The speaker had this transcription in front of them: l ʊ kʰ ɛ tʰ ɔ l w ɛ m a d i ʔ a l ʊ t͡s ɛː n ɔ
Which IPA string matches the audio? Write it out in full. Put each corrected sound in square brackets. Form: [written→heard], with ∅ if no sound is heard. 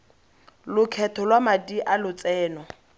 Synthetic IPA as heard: l ʊ kʰ ɛ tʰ ɔ l w [ɛ→a] m a d i ʔ a l ʊ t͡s ɛː n ɔ